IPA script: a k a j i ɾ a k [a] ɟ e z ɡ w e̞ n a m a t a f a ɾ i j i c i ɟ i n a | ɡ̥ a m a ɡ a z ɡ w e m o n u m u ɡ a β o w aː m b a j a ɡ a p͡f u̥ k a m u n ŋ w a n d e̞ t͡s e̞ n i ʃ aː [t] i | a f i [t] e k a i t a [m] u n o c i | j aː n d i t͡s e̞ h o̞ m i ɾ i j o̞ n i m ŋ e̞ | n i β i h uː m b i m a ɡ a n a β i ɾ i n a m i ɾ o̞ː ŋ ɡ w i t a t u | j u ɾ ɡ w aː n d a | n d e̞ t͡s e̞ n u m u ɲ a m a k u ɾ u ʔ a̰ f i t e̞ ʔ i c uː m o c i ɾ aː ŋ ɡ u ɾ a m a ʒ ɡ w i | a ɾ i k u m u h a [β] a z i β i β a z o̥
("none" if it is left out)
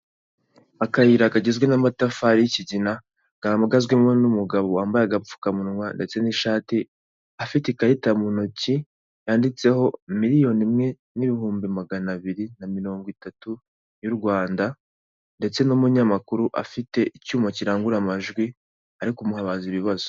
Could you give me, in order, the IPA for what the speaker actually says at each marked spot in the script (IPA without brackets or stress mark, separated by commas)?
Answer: a, t, t, m, β